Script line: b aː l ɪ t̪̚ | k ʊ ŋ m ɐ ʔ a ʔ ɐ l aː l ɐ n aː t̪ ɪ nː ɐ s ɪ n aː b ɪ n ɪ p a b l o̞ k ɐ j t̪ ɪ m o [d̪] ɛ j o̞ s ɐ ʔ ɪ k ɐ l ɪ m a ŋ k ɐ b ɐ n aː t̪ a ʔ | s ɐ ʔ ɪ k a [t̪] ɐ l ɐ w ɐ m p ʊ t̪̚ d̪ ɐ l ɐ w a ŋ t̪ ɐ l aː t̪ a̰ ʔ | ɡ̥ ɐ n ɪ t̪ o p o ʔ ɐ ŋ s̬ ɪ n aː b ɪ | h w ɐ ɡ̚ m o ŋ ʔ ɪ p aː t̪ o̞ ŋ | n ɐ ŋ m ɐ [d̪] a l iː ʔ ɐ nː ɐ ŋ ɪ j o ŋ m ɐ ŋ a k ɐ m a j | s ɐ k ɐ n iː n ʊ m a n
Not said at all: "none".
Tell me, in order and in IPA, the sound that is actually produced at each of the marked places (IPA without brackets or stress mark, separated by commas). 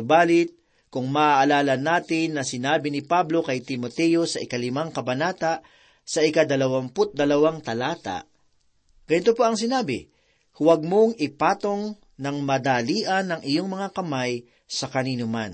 t̪, d̪, d̪